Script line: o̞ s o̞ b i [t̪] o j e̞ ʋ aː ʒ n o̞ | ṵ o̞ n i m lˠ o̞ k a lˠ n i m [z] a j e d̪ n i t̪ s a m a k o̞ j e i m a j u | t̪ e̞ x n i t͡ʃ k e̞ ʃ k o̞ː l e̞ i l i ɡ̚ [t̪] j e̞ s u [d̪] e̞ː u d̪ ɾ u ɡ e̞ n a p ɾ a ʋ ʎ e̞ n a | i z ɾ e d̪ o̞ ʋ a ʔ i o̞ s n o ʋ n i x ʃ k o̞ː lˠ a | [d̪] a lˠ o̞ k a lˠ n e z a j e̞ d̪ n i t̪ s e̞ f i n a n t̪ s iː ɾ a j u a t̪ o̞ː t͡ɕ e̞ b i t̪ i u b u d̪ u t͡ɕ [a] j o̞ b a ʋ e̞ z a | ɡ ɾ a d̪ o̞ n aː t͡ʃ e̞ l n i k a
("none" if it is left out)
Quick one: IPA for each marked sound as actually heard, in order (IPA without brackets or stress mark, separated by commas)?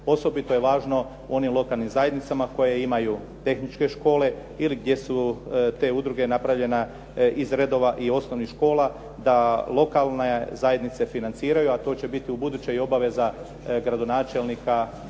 t̪, z, d̪, t̪, d̪, e